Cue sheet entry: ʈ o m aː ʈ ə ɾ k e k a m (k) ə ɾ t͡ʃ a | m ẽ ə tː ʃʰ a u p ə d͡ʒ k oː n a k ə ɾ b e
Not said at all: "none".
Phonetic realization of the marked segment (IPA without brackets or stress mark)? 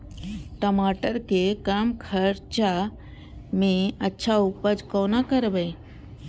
kʰ